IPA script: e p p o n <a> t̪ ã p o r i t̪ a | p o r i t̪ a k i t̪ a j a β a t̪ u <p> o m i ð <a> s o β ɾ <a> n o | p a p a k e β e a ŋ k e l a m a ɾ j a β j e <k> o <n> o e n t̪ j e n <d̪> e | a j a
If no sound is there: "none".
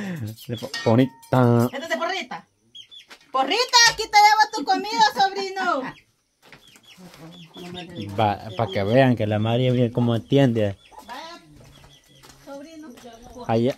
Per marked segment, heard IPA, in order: i, k, a, i, k, m, d̪

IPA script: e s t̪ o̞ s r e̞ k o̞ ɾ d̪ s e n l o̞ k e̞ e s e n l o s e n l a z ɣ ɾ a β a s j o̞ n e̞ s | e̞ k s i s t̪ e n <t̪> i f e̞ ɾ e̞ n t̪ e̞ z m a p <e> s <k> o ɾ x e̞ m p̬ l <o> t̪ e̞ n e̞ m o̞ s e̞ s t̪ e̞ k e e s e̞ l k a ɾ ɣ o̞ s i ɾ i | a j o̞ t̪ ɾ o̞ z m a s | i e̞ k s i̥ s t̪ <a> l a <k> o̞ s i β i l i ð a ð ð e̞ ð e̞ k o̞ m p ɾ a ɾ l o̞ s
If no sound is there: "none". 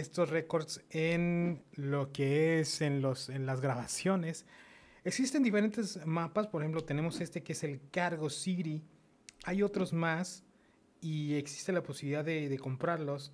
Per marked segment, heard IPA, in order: d̪, a, p, o, e, p

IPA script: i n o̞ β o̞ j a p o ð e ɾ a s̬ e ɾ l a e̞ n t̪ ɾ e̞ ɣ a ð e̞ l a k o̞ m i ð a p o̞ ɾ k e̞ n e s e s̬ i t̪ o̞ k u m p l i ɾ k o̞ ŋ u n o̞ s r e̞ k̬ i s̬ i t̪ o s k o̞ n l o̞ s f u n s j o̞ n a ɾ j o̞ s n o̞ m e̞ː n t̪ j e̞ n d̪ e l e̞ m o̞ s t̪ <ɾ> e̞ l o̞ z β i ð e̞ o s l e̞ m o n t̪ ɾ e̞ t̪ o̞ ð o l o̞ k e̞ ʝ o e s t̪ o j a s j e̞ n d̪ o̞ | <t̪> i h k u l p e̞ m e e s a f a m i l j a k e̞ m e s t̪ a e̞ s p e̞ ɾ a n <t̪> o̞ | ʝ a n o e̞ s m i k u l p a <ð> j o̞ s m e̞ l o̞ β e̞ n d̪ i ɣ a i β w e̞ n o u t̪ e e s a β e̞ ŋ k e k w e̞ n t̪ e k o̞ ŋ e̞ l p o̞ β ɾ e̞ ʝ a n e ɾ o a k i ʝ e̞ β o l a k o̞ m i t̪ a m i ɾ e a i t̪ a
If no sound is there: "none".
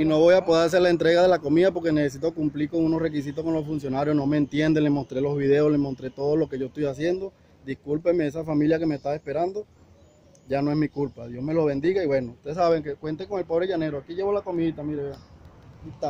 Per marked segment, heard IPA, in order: ɾ, d̪, d̪, ð

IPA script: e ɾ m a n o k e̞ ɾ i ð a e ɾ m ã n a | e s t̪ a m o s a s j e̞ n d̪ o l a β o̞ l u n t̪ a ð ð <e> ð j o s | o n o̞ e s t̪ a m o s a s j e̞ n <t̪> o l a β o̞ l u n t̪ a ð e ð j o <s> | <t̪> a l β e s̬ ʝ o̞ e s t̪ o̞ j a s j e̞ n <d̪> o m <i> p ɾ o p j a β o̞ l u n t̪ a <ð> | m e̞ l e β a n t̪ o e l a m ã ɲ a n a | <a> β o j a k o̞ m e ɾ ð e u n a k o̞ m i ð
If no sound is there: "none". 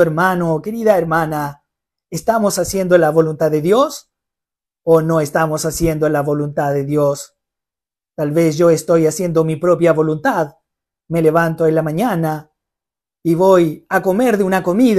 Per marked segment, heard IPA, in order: e, d̪, s, t̪, d̪, i, ð, i

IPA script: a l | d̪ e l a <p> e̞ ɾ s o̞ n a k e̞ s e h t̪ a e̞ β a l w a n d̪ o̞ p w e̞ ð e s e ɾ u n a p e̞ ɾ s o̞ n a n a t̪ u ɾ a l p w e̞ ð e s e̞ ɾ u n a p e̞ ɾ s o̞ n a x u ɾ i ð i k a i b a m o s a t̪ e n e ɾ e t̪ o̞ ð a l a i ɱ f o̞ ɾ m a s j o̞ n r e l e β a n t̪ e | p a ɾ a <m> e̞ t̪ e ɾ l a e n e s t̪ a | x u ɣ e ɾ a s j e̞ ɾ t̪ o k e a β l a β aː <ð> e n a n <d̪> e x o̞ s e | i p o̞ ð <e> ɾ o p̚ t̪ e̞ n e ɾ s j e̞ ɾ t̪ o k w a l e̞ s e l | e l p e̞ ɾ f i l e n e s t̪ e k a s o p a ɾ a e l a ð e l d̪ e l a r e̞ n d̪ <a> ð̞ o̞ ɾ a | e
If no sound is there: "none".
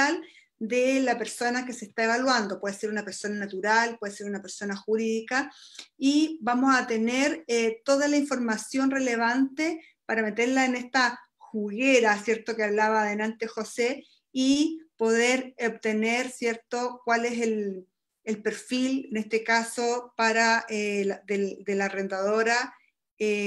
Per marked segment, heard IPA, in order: p, m, ð, t̪, e, a

